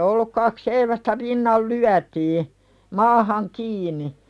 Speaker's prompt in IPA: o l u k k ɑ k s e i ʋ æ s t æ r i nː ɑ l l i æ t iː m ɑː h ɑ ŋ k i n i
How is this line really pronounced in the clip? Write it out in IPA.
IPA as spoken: o lː u k k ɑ k s e i ʋ æ s t æ r i nː ɑ l l y æ t iː m ɑː h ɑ ŋ k iː n i